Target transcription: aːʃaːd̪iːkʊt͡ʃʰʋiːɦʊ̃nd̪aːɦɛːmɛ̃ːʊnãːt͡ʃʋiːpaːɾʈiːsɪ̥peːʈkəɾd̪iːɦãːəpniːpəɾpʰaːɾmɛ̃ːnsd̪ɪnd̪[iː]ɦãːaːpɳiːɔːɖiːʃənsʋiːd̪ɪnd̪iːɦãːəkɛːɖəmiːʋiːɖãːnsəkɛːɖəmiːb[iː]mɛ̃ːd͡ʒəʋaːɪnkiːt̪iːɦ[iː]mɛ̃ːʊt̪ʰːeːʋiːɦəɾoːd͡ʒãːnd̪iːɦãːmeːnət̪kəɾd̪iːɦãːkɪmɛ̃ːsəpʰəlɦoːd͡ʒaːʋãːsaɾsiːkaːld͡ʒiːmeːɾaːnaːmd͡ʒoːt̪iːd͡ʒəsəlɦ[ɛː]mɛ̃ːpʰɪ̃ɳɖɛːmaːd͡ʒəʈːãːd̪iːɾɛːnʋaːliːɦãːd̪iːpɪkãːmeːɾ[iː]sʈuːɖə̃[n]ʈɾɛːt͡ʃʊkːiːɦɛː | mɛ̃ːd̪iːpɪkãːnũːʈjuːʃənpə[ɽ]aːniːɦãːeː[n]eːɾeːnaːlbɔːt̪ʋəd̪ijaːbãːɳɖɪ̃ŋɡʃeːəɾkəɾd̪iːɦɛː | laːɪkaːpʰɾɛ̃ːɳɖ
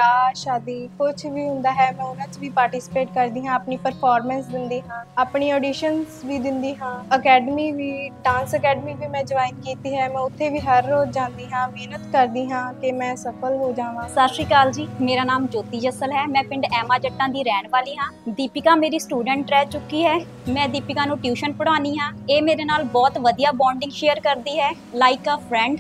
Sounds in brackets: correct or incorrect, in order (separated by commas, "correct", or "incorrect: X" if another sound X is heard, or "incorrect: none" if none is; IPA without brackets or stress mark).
correct, correct, incorrect: ɛː, correct, correct, incorrect: ɳ, correct, incorrect: m